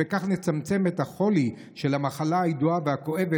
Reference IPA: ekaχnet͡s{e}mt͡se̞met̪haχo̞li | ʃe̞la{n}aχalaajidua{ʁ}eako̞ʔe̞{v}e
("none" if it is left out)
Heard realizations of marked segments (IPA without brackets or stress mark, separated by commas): a, m, v, v